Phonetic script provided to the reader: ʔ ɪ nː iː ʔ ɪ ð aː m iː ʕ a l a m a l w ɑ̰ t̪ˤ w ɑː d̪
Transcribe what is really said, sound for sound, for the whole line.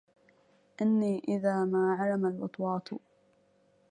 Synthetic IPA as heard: ʔ ɪ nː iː ʔ ɪ ð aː m aː ʕ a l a m a l w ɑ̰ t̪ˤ w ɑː t̪